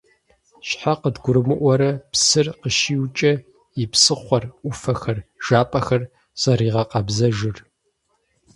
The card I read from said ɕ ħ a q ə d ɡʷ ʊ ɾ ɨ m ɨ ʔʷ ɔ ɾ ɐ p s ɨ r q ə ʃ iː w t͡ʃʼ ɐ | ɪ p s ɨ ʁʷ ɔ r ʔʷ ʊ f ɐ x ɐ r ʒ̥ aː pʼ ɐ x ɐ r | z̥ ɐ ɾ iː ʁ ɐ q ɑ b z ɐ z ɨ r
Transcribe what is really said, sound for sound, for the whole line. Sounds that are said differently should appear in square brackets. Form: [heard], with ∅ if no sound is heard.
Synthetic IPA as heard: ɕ ħ a q ə d ɡʷ ʊ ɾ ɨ m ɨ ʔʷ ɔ ɾ ɐ p s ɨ r q ə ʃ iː w t͡ʃʼ ɐ | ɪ p s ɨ [χʷ] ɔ r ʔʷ ʊ f ɐ x ɐ r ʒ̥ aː pʼ ɐ x ɐ r | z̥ ɐ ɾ iː ʁ ɐ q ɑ b z ɐ [ʒ] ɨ r